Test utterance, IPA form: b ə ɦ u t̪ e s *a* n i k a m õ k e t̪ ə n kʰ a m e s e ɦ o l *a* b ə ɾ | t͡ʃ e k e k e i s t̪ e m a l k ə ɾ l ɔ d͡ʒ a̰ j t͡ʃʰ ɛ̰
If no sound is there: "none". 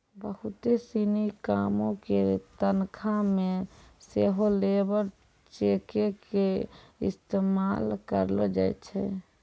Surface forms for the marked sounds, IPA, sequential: i, e

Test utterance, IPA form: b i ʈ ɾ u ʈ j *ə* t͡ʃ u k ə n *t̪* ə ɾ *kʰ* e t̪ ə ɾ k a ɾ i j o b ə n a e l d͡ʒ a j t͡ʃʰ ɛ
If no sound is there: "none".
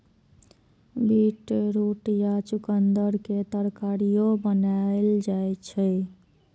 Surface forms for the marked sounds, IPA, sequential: a, d̪, k

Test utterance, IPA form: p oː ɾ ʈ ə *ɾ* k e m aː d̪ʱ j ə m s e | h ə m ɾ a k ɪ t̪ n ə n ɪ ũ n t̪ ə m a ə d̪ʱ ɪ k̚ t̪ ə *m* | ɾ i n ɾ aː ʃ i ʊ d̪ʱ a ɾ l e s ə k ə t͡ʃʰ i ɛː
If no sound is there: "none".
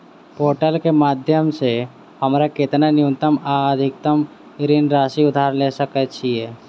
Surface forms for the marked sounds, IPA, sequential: l, m

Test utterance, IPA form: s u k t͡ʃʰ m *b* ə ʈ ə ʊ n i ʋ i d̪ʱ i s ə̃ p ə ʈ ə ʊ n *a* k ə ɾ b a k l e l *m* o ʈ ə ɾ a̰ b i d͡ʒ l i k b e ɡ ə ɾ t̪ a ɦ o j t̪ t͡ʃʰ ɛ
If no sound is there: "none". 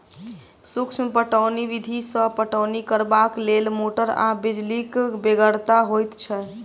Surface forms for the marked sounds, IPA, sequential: p, i, m

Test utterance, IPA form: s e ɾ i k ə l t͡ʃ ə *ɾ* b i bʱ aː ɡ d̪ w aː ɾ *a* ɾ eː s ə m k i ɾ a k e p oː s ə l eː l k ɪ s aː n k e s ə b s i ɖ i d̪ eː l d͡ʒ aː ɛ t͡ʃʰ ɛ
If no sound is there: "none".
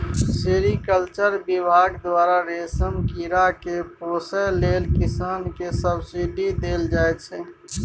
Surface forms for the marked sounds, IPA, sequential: ɾ, a

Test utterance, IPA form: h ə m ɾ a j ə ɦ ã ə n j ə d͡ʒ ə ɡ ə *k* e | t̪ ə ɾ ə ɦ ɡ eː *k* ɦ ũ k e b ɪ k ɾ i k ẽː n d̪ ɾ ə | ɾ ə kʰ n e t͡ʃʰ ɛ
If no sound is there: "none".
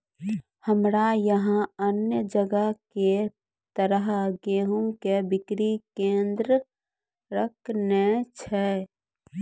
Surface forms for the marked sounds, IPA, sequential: k, none

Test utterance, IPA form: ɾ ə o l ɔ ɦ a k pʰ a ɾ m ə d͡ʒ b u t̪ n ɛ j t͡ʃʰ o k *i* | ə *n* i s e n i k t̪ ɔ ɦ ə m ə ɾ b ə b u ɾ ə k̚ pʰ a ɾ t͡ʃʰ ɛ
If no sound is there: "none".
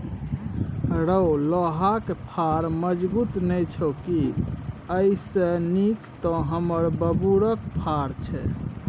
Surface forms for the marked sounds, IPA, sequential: i, none

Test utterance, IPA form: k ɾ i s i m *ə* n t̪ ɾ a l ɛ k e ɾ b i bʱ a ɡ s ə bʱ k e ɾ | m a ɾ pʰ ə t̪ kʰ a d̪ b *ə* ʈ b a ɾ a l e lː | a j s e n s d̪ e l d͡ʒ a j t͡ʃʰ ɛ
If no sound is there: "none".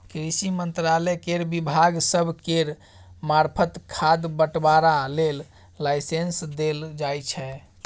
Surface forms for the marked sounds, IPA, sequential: ə, ə

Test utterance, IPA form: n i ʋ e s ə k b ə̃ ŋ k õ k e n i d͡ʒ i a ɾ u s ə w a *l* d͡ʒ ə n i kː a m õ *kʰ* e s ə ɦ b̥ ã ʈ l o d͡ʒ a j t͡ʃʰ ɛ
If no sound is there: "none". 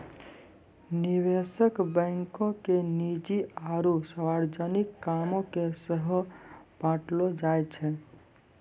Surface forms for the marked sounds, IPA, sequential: ɾ, k

